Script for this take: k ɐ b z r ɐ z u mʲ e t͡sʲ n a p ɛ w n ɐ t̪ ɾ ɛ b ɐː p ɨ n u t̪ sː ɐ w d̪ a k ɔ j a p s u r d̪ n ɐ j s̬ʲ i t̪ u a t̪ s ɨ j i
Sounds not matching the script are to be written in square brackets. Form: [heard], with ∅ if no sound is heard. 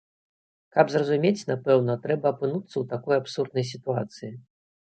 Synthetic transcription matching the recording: k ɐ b z r ɐ z u mʲ e t͡sʲ n a p ɛ w n ɐ t̪ ɾ ɛ b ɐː p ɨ n u t̪ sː ɐ w [t̪] a k ɔ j a p s u r d̪ n ɐ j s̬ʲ i t̪ u a t̪ s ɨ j i